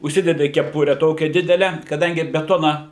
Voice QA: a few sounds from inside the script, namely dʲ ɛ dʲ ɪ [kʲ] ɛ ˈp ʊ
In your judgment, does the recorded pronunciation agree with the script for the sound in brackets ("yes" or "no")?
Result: yes